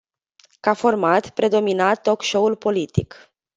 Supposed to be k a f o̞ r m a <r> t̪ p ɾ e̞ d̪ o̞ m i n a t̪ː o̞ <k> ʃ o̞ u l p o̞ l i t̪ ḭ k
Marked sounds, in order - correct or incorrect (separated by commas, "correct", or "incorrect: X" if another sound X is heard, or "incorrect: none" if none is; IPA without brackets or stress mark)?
incorrect: none, correct